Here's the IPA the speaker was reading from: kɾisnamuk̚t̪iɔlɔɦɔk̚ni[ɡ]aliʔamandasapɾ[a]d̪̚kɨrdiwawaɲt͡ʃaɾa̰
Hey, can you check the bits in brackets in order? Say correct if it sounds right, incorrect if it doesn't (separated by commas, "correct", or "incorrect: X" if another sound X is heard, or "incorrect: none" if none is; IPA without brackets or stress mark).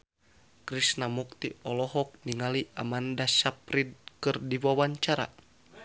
incorrect: ŋ, incorrect: i